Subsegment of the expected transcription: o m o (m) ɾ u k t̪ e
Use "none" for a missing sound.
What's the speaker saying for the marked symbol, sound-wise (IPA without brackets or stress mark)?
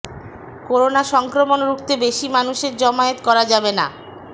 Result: n